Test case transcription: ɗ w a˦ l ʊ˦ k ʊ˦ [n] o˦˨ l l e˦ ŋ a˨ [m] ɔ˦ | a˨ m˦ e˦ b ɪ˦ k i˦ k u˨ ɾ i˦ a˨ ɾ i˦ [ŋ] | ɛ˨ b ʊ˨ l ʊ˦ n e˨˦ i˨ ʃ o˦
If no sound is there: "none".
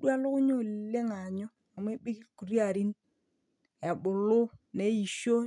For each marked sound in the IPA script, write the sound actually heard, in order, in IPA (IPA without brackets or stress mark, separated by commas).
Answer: ɲ, ɲ, n